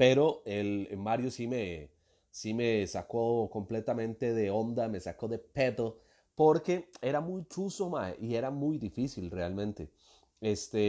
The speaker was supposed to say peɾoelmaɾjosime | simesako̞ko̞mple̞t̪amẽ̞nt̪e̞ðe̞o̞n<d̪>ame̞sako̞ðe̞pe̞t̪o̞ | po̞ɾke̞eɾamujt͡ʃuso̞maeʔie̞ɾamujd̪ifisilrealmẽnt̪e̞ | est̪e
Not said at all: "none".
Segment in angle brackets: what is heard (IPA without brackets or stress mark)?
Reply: d̪